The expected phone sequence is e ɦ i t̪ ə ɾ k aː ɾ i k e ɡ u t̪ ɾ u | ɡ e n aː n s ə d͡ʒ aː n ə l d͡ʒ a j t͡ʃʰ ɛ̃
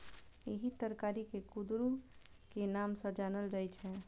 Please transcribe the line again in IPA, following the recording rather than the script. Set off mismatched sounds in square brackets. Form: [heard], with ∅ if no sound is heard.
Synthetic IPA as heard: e ɦ i t̪ ə ɾ k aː ɾ i k e [k] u [d̪] ɾ u | [k] e n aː [m] s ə d͡ʒ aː n ə l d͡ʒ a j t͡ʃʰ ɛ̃